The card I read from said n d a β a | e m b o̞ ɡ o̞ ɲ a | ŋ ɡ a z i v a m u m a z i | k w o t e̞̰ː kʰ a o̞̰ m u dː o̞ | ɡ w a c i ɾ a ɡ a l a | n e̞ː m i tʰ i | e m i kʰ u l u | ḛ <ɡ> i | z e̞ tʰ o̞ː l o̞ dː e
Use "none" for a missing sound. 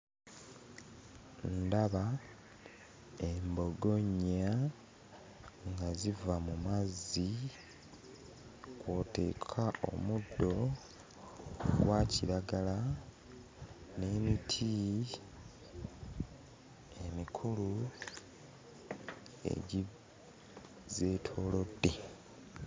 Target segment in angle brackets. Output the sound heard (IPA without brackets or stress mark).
ɟ